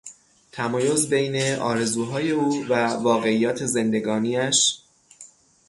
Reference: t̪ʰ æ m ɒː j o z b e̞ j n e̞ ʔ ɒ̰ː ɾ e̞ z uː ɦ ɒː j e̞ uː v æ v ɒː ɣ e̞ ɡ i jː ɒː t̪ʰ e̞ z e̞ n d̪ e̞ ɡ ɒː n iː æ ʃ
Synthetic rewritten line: t̪ʰ æ m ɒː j o z b e̞ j n e̞ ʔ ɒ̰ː ɾ e̞ z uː ɦ ɒː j e̞ uː v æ v ɒː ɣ e̞ i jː ɒː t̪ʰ e̞ z e̞ n d̪ e̞ ɡ ɒː n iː æ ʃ